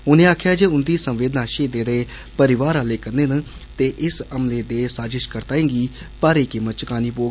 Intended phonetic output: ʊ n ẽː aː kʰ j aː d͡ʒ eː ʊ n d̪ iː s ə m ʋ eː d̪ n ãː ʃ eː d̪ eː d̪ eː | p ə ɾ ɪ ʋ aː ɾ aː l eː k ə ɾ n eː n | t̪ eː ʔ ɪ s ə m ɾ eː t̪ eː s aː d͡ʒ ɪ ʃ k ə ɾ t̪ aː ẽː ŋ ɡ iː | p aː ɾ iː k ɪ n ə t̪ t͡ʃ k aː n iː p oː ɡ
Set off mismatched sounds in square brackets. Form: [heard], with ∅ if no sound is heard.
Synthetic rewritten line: ʊ n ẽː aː kʰ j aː d͡ʒ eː ʊ n d̪ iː s ə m ʋ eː d̪ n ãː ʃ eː d̪ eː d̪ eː | p ə ɾ ɪ ʋ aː ɾ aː l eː k ə ɾ n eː n | t̪ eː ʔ ɪ s ə m [l] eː [d̪] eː s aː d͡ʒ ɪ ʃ k ə ɾ t̪ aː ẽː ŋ ɡ iː | p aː ɾ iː k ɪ [m] ə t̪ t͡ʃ k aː n iː p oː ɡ